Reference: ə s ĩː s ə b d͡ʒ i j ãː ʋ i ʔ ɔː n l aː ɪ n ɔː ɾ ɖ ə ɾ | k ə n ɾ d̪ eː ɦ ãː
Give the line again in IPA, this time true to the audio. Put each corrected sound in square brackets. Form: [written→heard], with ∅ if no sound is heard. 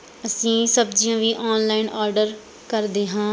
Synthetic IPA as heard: ə s ĩː s ə b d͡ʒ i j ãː ʋ [i→iː] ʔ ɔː n l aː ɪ n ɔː ɾ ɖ ə ɾ | k ə [n→∅] ɾ d̪ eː ɦ ãː